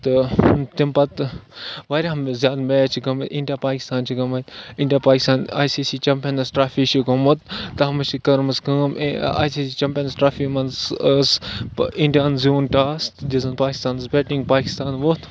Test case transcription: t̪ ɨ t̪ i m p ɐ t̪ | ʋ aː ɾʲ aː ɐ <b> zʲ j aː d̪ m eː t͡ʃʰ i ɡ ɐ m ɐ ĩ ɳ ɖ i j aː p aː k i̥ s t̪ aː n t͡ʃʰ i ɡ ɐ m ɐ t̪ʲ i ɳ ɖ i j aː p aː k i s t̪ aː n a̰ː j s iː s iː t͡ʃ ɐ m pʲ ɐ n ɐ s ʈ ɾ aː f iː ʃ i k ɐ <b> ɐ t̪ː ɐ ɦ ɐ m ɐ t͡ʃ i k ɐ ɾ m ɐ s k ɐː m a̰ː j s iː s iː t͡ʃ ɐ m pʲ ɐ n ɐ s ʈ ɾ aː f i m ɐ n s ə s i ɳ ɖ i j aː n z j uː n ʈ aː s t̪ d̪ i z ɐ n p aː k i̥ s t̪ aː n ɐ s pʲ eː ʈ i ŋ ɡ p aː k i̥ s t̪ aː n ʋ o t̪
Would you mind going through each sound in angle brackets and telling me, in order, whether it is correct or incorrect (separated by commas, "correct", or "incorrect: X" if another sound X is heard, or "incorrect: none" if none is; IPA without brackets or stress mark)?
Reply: incorrect: m, incorrect: m